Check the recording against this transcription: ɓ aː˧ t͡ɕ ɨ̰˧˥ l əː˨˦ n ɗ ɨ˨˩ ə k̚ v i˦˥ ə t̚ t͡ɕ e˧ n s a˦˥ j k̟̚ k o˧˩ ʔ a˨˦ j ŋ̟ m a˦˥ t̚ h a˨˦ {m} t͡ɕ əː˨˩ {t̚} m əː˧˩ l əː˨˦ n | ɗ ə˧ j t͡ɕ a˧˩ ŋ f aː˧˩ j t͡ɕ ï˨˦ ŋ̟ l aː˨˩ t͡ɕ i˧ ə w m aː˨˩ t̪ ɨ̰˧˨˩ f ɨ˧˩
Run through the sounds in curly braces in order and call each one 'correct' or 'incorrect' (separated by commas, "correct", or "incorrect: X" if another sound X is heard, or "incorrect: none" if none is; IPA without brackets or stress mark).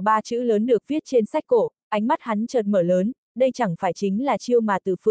incorrect: n, correct